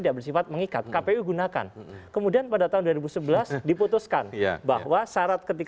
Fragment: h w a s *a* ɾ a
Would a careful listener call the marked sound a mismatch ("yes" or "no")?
no